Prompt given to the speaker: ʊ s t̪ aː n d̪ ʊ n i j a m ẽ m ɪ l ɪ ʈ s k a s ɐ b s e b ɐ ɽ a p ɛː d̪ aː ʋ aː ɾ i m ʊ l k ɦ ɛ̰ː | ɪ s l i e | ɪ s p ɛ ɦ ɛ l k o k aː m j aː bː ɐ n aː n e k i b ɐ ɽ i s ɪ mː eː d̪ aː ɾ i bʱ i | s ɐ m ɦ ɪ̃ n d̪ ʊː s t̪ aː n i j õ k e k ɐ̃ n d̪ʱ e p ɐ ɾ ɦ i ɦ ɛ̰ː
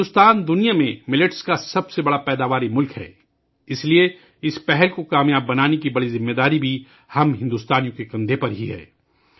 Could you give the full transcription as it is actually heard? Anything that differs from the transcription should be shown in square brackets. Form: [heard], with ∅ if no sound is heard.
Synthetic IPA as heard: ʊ s t̪ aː n d̪ ʊ n i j a m ẽ m ɪ l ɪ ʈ s k a s ɐ b s e b ɐ ɽ a p ɛː d̪ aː ʋ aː ɾ i m ʊ l k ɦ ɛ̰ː | ɪ s l i e | ɪ s p ɛ ɦ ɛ l k o k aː m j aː bː ɐ n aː n e k i b ɐ ɽ i [z] ɪ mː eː d̪ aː ɾ i bʱ i | [h] ɐ m ɦ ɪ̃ n d̪ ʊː s t̪ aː n i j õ k e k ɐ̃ n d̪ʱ e p ɐ ɾ ɦ i ɦ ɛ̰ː

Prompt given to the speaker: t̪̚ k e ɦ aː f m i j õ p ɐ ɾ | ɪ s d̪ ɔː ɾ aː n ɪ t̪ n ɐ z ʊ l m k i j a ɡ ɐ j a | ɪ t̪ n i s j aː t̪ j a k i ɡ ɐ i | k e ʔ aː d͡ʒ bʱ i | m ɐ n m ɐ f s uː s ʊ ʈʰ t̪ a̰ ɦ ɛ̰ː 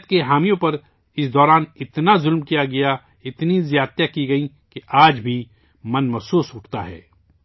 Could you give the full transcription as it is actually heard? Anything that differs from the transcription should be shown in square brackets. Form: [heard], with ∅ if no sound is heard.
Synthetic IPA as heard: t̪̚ k e ɦ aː [∅] m i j õ p ɐ ɾ | ɪ s d̪ ɔː ɾ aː n ɪ t̪ n [a] z ʊ l m k i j a ɡ ɐ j a | ɪ t̪ n i [z] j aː t̪ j a k i ɡ ɐ i | k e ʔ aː d͡ʒ bʱ i | m ɐ n m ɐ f s uː s ʊ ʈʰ t̪ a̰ ɦ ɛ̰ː

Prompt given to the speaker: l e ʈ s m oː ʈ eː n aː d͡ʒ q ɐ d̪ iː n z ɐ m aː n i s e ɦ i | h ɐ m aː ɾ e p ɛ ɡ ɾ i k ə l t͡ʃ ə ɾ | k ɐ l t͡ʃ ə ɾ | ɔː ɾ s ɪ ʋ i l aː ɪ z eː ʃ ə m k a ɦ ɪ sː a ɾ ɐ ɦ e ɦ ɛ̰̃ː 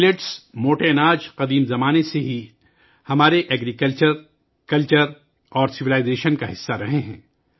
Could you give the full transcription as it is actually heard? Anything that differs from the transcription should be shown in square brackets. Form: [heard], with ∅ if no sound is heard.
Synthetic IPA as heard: l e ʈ s m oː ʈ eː n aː d͡ʒ q ɐ d̪ iː [m] z ɐ m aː n [e] s e ɦ i | h ɐ m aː ɾ e [ʔ] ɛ ɡ ɾ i k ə l t͡ʃ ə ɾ | k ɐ l t͡ʃ ə ɾ | ɔː ɾ s ɪ ʋ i l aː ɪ z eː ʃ ə [n] k a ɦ ɪ sː a ɾ ɐ ɦ e ɦ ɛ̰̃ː

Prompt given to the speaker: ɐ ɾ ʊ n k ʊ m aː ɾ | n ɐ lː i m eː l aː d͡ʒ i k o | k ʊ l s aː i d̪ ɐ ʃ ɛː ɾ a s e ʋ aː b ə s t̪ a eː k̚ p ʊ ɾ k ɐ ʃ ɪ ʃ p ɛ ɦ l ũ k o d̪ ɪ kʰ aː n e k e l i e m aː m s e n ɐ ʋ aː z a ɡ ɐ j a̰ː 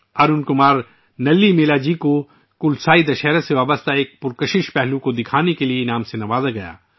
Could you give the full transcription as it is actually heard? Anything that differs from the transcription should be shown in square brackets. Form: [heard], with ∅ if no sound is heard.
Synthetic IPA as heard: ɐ ɾ ʊ n k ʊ m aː ɾ | n ɐ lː i m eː l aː d͡ʒ i k o | k ʊ l s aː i d̪ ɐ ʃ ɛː ɾ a s e ʋ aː b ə s t̪ a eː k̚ p ʊ ɾ k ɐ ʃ ɪ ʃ p ɛ ɦ l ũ k o d̪ ɪ kʰ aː n e k e l i e [n] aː m s e n ɐ ʋ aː z a ɡ ɐ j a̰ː

